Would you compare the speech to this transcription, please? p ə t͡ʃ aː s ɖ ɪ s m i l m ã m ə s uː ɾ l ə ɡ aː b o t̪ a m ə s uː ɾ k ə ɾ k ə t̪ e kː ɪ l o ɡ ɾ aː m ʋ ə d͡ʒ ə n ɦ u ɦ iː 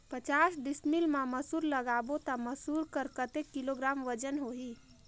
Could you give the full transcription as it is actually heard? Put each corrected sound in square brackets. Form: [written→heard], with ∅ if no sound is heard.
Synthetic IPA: p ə t͡ʃ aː s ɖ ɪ s m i l m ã m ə s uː ɾ l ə ɡ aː b o t̪ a m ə s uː ɾ k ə ɾ k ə t̪ e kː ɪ l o ɡ ɾ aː m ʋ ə d͡ʒ ə n ɦ [u→o] ɦ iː